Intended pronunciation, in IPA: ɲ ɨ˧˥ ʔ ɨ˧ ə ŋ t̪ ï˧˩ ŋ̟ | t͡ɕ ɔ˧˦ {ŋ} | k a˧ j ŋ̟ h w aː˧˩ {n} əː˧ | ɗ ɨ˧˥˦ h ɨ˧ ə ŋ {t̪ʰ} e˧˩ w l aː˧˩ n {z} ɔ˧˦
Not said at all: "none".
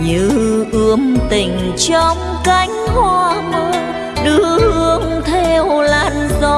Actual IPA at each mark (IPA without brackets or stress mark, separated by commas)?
ŋ͡m, m, t̪ʰ, z